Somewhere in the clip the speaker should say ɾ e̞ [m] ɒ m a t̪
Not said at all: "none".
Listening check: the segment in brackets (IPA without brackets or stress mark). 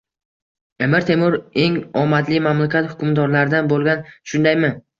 ŋ